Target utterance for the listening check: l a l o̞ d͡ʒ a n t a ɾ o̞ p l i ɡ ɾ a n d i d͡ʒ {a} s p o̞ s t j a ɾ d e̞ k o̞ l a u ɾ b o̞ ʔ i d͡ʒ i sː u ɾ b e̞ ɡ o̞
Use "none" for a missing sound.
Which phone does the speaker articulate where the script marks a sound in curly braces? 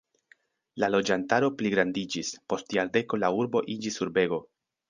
i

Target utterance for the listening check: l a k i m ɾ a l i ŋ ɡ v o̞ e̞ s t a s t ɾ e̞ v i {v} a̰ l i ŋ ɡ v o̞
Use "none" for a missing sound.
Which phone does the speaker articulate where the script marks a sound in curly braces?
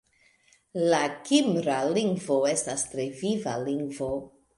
v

